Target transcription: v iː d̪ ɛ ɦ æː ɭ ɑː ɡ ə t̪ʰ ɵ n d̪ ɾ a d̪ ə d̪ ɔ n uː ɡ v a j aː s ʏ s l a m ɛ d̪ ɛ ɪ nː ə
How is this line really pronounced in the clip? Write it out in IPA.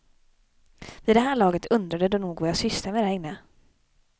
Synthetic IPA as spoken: v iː d̪ ɛ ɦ æː ɭ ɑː ɡ ə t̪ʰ ɵ n d̪ ɾ a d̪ ə d̪ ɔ n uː ɡ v a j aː s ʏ s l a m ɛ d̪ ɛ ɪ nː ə